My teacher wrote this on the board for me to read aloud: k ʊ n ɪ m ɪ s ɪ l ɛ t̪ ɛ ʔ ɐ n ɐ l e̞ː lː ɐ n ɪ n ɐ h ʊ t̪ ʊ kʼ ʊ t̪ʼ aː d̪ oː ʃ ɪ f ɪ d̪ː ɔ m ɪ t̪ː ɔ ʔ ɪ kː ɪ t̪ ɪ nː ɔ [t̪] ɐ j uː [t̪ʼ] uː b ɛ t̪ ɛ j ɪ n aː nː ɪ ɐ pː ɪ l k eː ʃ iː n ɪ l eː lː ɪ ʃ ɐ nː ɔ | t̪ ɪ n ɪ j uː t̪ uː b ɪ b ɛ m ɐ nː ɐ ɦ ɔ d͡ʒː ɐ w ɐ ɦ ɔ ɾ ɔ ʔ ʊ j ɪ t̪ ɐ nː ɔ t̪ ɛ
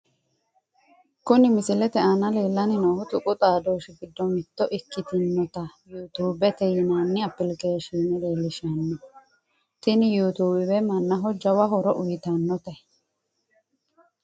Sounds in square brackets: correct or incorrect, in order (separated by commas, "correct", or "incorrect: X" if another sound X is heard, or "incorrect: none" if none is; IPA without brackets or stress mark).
correct, incorrect: t̪